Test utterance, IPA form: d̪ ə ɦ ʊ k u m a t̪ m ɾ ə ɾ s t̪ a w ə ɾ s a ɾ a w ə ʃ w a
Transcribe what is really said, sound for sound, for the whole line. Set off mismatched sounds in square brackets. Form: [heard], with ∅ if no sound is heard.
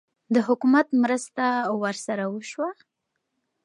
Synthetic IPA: d̪ ə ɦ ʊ k u m a t̪ m ɾ ə [∅] s t̪ a w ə ɾ s a ɾ a w ə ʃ w a